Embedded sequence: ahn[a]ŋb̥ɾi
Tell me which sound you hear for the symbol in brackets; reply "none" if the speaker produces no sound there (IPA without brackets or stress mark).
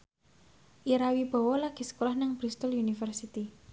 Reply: a